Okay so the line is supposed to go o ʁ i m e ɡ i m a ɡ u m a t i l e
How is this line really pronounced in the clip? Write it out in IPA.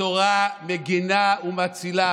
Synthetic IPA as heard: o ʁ a m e ɡ i n a u m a t͡s i l a